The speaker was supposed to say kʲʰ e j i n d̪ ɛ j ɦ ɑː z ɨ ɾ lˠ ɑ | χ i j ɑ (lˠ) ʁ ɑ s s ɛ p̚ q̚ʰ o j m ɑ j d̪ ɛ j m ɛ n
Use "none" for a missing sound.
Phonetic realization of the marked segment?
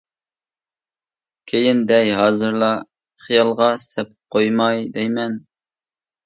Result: lˠ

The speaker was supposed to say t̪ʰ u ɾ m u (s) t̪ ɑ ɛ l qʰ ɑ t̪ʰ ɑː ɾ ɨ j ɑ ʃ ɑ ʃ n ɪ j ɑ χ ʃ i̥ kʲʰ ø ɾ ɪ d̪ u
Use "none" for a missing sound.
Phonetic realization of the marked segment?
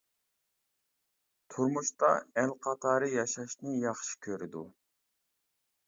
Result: ʃ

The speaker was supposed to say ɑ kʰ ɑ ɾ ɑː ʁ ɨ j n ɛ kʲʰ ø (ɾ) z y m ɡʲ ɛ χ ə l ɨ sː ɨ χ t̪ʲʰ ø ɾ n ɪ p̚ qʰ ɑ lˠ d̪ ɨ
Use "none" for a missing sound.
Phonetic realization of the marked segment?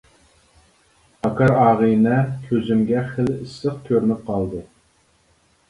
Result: none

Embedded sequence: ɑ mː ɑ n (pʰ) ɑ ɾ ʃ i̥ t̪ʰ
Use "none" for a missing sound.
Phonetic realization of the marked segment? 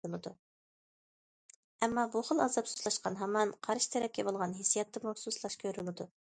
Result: qʰ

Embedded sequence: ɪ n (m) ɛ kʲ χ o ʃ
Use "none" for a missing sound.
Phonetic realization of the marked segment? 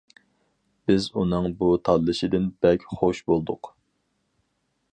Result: b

